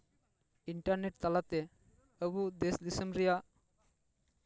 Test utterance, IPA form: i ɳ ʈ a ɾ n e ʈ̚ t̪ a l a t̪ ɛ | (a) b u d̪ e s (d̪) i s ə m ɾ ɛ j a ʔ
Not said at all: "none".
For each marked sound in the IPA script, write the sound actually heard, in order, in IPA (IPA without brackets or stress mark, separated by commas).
ə, d̪